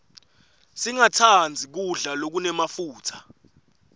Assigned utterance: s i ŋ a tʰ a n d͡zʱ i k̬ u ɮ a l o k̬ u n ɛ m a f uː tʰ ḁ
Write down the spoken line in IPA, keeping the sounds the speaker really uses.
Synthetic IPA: s i ŋ a tʰ a n d͡zʱ i k̬ u ɮ a l o k̬ u n ɛ m a f uː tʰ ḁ